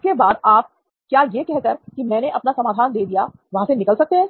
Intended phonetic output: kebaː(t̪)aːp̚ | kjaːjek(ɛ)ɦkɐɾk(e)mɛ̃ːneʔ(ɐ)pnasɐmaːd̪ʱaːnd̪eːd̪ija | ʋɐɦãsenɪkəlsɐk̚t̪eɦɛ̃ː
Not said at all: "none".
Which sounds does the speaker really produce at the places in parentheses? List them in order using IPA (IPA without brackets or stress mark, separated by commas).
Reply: d̪, ɛ, i, ɐ